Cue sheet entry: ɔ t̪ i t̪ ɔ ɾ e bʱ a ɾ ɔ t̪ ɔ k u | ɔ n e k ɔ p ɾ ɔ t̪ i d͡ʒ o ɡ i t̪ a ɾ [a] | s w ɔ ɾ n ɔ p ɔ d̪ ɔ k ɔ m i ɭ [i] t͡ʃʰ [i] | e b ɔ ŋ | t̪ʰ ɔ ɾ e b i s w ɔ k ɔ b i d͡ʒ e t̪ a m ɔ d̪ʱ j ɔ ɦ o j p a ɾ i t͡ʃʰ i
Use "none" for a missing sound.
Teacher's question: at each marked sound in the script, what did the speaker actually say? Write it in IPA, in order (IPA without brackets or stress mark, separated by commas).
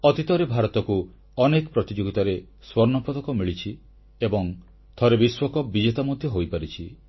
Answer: e, i, i